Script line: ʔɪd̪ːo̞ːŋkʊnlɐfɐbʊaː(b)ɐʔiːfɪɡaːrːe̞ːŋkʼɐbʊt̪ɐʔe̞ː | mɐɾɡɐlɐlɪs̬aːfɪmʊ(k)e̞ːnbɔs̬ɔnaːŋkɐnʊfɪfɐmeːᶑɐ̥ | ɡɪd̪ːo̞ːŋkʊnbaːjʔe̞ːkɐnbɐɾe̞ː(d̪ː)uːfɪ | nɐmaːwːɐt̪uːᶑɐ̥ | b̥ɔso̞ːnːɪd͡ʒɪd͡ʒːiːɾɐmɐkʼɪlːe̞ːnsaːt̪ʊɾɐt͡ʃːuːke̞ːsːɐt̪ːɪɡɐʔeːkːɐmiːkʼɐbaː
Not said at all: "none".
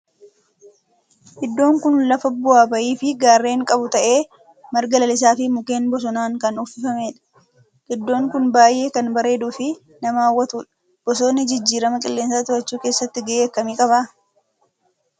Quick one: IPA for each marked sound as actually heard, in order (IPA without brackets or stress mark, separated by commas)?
b, k, d̪